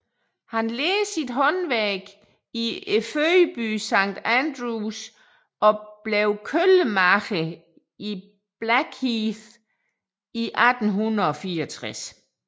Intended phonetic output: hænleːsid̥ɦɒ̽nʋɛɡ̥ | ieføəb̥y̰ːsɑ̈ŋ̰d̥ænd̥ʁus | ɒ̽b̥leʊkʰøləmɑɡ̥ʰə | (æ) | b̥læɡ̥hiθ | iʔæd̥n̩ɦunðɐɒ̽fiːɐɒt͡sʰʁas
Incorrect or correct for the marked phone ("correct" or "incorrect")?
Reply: incorrect